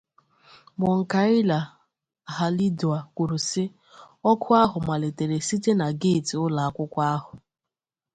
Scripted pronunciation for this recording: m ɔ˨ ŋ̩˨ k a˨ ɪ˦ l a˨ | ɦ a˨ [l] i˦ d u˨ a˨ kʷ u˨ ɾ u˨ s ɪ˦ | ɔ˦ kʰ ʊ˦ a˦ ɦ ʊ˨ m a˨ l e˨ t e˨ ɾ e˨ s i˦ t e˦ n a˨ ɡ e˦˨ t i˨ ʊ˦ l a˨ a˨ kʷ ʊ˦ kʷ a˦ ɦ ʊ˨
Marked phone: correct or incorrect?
correct